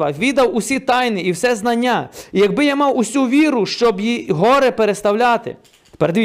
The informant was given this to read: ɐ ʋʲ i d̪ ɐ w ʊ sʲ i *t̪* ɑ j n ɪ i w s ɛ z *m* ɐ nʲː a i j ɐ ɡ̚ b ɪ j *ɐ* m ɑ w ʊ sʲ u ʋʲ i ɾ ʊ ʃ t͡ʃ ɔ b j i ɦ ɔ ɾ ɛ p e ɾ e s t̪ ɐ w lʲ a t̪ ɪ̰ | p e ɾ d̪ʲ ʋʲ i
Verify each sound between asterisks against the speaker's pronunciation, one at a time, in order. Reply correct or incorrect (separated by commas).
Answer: correct, incorrect, incorrect